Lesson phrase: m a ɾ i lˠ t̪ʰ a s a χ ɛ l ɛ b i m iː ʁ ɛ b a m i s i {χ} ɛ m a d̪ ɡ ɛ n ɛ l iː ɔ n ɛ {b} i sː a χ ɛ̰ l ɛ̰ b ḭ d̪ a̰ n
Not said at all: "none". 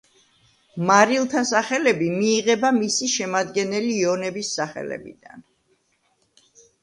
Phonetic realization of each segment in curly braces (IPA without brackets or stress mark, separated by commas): ʃ, b